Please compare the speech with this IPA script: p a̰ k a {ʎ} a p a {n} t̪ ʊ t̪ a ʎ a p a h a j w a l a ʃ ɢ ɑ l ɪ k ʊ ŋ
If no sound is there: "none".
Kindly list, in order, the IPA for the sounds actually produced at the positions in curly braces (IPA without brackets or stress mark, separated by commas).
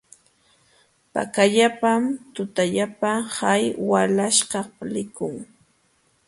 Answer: ʎ, m